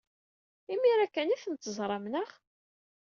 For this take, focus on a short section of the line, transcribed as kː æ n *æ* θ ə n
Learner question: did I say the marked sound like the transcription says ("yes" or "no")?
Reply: no